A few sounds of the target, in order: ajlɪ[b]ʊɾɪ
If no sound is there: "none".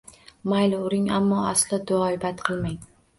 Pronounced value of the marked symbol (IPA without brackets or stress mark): none